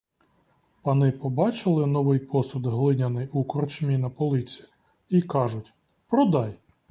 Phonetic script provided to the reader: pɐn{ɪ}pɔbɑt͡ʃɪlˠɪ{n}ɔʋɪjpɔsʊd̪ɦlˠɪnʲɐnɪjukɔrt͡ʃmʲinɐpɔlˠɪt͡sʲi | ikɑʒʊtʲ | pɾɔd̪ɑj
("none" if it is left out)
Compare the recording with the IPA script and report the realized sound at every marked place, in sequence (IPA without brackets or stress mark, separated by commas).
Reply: ɪ, n